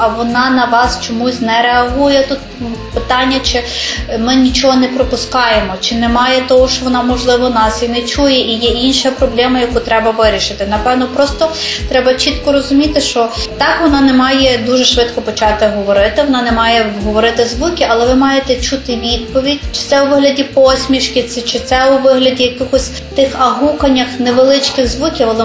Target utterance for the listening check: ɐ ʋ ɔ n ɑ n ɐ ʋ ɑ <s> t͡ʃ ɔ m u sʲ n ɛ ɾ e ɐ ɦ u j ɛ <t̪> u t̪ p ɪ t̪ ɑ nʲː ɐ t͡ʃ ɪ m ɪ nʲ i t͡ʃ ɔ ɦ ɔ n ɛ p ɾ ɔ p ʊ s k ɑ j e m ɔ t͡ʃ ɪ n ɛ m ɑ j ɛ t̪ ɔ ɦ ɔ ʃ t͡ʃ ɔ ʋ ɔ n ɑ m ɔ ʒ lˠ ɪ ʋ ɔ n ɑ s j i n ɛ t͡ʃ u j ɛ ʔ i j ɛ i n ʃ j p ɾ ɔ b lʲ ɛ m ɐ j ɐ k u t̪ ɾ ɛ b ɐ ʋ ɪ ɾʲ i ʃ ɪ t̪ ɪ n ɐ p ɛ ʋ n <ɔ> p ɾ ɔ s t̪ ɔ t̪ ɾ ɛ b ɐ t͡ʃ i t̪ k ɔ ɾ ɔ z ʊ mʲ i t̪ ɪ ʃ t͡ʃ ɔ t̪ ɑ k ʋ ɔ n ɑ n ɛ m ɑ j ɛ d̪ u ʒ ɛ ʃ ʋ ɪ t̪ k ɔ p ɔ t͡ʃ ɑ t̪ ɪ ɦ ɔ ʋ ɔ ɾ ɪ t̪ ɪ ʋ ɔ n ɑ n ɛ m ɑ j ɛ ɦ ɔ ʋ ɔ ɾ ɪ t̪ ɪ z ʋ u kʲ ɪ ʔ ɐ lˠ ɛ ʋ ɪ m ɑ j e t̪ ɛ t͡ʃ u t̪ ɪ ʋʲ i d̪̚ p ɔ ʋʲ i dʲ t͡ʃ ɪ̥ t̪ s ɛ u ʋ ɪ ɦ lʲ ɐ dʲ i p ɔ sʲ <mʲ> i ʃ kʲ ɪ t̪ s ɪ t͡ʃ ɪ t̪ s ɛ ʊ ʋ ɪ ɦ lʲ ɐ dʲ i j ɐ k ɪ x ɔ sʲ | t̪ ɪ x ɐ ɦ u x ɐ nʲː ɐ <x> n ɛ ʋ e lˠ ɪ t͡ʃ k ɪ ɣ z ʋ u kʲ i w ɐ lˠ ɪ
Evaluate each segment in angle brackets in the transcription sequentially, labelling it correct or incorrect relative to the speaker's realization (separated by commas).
correct, correct, correct, correct, correct